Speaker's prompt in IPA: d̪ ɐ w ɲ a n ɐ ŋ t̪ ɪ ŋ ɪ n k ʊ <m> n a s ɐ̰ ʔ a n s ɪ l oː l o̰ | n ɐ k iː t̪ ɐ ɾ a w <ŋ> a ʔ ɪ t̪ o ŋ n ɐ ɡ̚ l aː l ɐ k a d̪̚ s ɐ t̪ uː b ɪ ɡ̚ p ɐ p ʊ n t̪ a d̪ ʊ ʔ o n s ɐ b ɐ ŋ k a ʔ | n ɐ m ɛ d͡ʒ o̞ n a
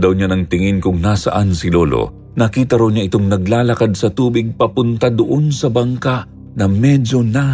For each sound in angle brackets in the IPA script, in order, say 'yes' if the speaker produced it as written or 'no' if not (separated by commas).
no, no